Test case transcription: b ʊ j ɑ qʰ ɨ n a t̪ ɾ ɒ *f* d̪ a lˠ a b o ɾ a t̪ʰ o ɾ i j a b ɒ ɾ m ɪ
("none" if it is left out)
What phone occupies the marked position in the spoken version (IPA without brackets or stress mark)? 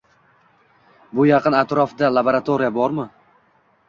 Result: f